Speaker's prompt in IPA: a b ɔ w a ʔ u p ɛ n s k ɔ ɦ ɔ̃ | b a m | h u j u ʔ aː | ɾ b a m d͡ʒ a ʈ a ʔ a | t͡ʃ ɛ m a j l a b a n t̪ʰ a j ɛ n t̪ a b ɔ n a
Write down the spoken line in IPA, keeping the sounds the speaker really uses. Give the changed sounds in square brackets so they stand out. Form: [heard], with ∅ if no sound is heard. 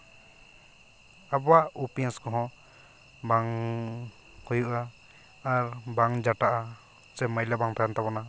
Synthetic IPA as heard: a b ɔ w a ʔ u p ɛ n s k ɔ ɦ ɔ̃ | b a [ŋ] | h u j u ʔ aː | ɾ b a [ŋ] d͡ʒ a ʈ a ʔ a | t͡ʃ ɛ m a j l a b a [ŋ] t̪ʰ a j [a] n t̪ a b ɔ n a